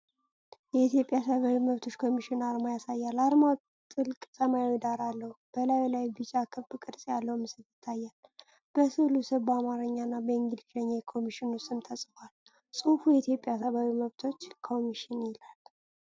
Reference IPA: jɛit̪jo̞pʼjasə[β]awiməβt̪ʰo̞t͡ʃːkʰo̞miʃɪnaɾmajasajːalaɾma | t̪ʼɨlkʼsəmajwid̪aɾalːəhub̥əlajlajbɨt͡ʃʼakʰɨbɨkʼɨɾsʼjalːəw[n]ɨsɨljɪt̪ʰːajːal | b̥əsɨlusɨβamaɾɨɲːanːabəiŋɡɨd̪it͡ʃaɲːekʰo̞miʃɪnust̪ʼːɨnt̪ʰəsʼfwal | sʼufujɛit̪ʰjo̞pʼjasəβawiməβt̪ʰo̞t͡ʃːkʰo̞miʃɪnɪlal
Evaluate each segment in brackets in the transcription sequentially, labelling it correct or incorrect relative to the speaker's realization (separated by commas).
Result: correct, incorrect